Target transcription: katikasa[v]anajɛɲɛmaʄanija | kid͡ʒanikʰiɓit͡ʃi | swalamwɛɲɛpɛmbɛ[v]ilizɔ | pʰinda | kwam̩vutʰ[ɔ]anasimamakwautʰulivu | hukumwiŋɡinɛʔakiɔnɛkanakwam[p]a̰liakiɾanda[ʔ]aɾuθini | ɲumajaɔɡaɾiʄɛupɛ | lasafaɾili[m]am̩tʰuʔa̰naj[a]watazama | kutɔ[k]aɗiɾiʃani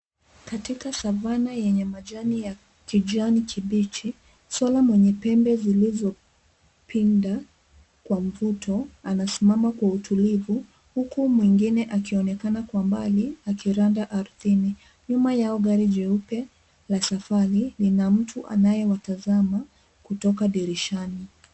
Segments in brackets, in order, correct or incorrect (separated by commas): correct, incorrect, correct, incorrect, correct, incorrect, incorrect, correct